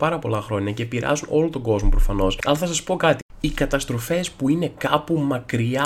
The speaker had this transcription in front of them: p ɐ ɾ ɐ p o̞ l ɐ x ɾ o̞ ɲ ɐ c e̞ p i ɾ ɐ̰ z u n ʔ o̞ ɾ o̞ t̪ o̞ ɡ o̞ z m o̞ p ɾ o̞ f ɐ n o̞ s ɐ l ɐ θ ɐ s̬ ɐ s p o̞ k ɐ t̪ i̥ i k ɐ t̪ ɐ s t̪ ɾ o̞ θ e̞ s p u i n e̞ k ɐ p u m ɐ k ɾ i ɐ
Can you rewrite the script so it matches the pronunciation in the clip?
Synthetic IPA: p ɐ ɾ ɐ p o̞ l ɐ x ɾ o̞ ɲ ɐ c e̞ p i ɾ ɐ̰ z u n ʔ o̞ l o̞ t̪ o̞ ɡ o̞ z m o̞ p ɾ o̞ f ɐ n o̞ s ɐ l ɐ θ ɐ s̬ ɐ s p o̞ k ɐ t̪ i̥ i k ɐ t̪ ɐ s t̪ ɾ o̞ f e̞ s p u i n e̞ k ɐ p u m ɐ k ɾ i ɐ